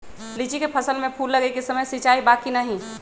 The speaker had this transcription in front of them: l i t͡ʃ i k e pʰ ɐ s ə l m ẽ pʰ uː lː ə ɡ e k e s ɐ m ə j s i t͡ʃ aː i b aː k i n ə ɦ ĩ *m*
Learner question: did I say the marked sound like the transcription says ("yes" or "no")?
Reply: no